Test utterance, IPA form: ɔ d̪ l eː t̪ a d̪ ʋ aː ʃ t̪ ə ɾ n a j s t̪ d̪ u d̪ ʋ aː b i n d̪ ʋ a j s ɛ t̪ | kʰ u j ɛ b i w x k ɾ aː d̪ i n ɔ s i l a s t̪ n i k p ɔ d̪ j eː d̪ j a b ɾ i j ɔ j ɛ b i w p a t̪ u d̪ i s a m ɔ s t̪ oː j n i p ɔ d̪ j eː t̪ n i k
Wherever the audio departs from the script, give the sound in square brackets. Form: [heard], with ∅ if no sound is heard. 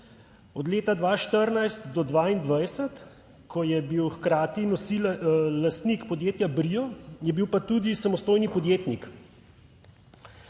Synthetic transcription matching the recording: ɔ d̪ l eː t̪ a d̪ ʋ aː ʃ t̪ ə ɾ n a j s t̪ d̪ [ɔ] d̪ ʋ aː [∅] i n d̪ ʋ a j s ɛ t̪ | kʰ [ɔ] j ɛ b i w x k ɾ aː [t̪] i n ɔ s i l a s t̪ n i k p ɔ d̪ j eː [t̪] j a b ɾ i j ɔ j ɛ b i w p a t̪ u d̪ i s a m ɔ s t̪ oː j n i p ɔ d̪ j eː t̪ n i k